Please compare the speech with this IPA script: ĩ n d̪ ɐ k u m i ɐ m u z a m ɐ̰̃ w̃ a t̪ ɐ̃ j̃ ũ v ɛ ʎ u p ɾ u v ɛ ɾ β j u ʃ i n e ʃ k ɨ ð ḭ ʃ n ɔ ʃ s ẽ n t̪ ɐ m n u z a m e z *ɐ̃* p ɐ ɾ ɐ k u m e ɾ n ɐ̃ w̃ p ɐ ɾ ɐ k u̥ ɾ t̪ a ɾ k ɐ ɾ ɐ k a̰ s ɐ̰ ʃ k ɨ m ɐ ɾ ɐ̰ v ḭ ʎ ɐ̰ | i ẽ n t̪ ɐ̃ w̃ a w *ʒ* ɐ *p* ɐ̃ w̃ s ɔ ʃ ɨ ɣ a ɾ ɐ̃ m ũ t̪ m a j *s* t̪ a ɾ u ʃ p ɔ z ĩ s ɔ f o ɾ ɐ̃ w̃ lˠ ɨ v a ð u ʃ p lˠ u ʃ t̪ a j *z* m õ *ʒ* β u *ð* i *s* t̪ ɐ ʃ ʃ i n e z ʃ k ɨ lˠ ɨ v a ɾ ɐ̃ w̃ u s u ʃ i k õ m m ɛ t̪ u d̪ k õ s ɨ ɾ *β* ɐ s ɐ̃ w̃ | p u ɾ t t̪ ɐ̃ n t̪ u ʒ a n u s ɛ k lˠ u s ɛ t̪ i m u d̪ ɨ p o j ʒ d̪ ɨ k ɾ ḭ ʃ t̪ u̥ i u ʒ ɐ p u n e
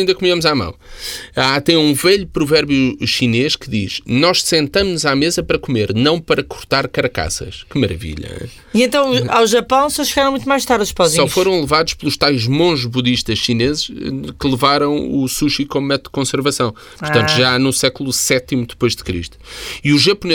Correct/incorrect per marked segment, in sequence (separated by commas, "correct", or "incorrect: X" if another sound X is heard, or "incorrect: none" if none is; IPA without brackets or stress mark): incorrect: ɐ, correct, correct, incorrect: ʃ, incorrect: ʒ, correct, correct, incorrect: ʃ, incorrect: v